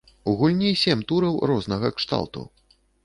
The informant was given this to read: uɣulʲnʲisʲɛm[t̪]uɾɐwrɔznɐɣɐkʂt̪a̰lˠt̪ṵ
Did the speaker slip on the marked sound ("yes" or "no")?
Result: no